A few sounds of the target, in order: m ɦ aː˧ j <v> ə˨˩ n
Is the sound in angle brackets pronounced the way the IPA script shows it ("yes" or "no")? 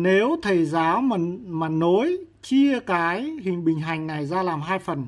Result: no